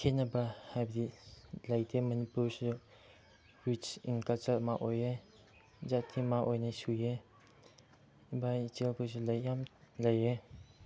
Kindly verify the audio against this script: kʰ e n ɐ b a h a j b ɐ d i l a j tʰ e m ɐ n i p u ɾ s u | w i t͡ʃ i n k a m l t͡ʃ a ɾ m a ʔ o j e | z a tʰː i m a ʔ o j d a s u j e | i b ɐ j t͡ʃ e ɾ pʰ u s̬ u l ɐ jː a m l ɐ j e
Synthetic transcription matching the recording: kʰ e n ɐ b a h a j b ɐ d i l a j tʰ e m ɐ n i p u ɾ s u | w i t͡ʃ i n k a l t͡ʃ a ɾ m a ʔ o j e | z a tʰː i m a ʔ o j n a s u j e | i b a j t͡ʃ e l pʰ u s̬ u l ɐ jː a m l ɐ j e